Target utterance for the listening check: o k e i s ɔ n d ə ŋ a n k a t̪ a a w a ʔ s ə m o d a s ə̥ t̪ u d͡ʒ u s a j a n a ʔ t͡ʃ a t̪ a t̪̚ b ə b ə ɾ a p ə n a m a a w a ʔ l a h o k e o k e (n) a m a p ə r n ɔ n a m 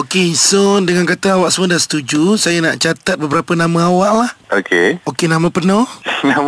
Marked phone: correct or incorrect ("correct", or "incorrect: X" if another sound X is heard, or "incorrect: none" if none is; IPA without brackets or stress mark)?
correct